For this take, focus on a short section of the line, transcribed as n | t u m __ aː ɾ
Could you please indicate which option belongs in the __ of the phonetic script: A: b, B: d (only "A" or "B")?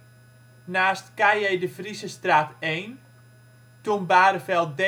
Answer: A